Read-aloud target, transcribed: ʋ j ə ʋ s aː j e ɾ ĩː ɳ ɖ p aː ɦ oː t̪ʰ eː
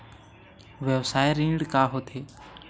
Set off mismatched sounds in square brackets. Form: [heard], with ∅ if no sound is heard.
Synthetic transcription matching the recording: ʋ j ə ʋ s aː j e ɾ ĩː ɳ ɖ [k] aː ɦ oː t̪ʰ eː